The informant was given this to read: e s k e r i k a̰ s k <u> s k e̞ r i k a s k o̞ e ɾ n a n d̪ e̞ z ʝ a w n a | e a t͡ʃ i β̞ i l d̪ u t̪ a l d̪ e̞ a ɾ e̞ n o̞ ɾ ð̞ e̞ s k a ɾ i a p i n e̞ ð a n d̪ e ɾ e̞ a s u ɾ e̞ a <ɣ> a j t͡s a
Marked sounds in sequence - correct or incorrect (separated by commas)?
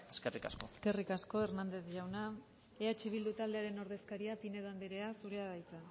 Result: incorrect, incorrect